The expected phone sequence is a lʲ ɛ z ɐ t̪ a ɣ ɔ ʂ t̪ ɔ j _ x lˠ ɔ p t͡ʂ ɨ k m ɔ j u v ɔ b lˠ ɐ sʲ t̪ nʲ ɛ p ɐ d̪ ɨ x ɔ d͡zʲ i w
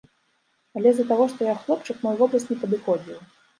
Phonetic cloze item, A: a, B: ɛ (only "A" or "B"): A